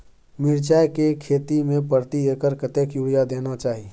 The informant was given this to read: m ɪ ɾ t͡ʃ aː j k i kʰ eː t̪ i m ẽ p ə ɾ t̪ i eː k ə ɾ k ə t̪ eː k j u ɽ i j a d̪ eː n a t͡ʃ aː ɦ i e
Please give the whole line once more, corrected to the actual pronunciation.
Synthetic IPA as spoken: m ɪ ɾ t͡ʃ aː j k e kʰ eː t̪ i m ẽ p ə ɾ t̪ i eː k ə ɾ k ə t̪ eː k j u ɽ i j a d̪ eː n a t͡ʃ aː ɦ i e